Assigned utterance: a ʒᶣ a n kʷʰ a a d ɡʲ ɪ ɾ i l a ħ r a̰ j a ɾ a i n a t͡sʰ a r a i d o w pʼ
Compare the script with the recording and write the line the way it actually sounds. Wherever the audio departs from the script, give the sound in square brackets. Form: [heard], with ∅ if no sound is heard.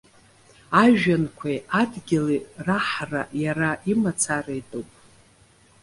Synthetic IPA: a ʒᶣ a n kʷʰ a a d ɡʲ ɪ [l] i [r] a ħ r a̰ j a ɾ a i [m] a t͡sʰ a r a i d o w pʼ